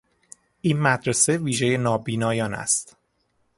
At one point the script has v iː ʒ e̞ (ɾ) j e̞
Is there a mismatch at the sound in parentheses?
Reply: yes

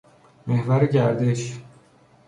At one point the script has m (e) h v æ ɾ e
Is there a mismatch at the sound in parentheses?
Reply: no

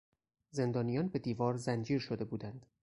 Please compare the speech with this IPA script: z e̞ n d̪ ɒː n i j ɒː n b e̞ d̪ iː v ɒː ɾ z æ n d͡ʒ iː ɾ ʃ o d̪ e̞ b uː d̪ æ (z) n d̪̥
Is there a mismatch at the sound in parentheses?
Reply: yes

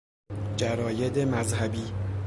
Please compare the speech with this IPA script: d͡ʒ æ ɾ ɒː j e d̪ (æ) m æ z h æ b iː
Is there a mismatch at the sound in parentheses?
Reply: yes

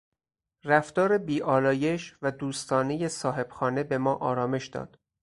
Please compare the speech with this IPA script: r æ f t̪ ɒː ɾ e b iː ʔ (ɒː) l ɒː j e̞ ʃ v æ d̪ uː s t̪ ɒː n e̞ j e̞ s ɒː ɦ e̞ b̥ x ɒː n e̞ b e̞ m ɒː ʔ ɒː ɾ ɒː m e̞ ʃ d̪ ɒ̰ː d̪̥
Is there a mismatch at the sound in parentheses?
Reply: no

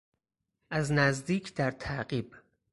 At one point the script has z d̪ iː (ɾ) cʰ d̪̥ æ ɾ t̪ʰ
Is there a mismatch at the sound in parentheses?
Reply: yes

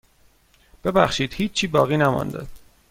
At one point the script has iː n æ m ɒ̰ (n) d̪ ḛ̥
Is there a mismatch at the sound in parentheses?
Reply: no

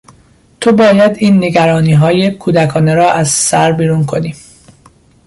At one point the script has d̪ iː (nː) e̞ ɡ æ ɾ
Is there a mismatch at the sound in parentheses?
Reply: no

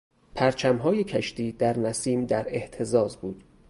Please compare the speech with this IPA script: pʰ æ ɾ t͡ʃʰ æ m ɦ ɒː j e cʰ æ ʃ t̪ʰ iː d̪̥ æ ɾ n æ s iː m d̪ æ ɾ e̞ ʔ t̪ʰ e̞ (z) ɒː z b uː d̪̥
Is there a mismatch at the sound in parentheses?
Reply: no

